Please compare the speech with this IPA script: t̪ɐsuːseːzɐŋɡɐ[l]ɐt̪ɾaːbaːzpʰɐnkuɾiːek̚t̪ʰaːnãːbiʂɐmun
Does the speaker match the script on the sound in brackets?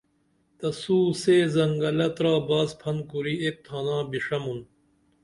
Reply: yes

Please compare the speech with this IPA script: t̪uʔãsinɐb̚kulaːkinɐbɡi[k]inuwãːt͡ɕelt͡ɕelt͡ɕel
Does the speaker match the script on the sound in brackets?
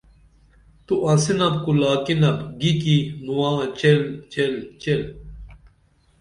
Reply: yes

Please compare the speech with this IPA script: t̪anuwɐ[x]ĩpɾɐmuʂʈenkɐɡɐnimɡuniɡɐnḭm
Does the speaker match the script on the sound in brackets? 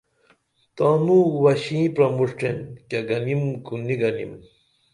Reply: no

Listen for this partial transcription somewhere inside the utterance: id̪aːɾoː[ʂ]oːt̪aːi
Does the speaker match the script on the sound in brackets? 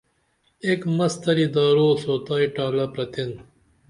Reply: no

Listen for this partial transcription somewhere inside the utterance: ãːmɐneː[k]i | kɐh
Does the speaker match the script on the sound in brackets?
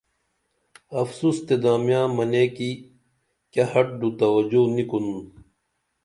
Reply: yes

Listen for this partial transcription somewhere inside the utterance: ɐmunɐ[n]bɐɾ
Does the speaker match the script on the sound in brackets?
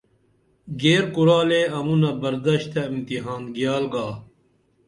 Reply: no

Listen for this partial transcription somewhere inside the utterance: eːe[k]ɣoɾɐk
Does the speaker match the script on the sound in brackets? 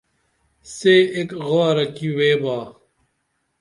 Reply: yes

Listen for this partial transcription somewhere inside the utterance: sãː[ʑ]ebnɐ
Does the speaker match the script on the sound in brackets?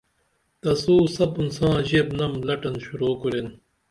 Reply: yes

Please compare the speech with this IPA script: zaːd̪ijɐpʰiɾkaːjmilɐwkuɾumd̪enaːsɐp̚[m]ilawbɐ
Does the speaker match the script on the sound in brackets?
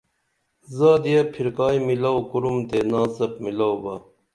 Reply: yes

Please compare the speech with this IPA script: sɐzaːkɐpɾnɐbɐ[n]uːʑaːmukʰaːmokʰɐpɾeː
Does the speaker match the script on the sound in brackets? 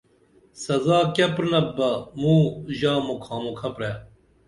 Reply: no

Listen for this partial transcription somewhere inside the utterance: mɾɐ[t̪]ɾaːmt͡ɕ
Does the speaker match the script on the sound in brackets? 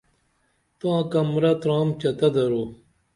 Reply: yes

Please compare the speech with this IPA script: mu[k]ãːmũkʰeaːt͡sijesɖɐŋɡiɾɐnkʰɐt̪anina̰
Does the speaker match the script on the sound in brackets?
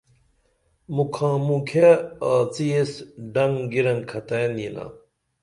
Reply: no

